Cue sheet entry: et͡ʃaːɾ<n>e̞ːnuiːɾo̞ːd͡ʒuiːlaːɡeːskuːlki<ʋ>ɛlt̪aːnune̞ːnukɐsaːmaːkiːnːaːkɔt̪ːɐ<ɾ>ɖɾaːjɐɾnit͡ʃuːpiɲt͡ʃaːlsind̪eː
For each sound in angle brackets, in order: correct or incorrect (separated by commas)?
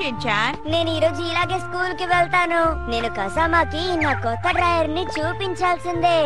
correct, correct, incorrect